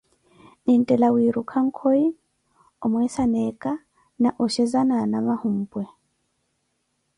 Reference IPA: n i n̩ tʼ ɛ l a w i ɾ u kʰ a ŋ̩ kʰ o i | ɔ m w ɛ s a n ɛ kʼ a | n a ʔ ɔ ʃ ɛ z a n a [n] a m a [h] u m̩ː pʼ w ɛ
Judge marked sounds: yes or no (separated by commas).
yes, yes